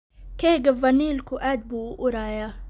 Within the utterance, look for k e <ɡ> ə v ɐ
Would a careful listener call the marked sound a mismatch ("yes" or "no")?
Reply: no